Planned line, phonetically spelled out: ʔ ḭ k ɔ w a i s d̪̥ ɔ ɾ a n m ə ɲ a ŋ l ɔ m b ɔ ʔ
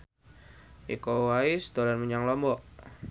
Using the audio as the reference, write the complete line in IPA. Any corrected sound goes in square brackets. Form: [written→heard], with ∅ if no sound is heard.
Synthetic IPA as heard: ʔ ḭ k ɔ w a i s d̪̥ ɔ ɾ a n m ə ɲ a ŋ l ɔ m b ɔ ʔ